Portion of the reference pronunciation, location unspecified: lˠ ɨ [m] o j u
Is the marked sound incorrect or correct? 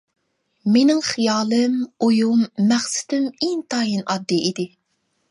correct